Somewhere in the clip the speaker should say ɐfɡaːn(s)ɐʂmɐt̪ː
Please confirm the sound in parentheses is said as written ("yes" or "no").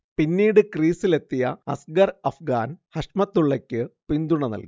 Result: no